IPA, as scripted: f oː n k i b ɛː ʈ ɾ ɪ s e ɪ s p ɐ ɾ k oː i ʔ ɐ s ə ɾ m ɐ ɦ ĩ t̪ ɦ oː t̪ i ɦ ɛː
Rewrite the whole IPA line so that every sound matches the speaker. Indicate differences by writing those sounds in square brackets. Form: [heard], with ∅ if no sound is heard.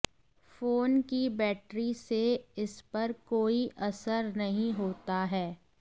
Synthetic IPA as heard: f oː n k i b ɛː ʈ ɾ [i] s e ɪ s p ɐ ɾ k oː i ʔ ɐ s ə ɾ [n] ɐ ɦ ĩ [∅] ɦ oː t̪ [a] ɦ ɛː

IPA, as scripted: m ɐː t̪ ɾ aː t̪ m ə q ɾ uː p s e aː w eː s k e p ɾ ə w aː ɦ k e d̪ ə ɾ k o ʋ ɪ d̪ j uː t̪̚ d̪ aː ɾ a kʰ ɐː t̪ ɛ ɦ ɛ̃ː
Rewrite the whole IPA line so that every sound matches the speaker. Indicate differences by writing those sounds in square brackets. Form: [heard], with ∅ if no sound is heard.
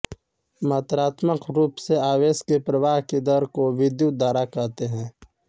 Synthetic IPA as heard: m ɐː t̪ ɾ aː t̪ m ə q ɾ uː p s e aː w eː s k e p ɾ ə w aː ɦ k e d̪ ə ɾ k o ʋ ɪ d̪ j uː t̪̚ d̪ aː ɾ a [k] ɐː t̪ [e] ɦ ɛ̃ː

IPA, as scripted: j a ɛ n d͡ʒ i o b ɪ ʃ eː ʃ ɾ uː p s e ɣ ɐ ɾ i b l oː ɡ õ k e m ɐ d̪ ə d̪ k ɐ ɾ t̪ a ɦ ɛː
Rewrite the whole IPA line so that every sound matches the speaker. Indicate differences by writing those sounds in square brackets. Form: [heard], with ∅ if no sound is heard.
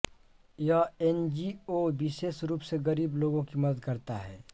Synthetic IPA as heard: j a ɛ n d͡ʒ i o b ɪ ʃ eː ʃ ɾ uː p s e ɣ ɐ ɾ [iː] b l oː ɡ õ k [i] m ɐ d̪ ə d̪ k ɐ ɾ t̪ a ɦ ɛː

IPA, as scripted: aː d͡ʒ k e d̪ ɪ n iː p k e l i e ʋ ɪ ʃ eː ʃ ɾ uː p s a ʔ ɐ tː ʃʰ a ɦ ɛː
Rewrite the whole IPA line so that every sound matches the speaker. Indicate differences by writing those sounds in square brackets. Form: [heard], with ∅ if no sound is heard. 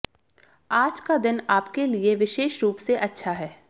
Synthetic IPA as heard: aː d͡ʒ k [a] d̪ ɪ n [aː] p k e l i e ʋ ɪ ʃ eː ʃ ɾ uː p s [e] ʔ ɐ tː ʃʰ a ɦ ɛː

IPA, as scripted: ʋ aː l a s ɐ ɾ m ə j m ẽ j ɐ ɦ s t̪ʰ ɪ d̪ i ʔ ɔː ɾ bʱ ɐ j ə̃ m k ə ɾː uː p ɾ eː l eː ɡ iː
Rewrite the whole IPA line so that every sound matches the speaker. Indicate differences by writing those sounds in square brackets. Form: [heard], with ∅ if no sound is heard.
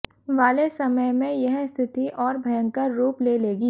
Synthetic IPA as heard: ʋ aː l [e] s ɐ [∅] m ə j m ẽ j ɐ ɦ s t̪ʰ ɪ [t̪] i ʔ ɔː ɾ bʱ ɐ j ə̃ [ŋ] k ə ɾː uː p [l] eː l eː ɡ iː

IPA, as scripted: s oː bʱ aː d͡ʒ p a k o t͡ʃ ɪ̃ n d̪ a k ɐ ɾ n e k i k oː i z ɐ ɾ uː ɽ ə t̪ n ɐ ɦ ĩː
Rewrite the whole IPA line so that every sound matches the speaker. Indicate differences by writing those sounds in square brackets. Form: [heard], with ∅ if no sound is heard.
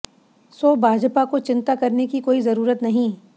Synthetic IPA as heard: s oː bʱ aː d͡ʒ p a k o t͡ʃ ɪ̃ n [t̪] a k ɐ ɾ n e k i k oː i z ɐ ɾ uː [ɾ] ə t̪ n ɐ ɦ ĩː

